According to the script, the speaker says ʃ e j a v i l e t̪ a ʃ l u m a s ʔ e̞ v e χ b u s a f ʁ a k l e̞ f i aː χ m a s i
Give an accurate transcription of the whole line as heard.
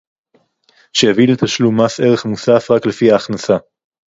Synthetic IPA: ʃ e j a v i l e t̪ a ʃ l u m a s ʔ e̞ ʁ e χ m u s a f ʁ a k l e̞ f i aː χ n a s a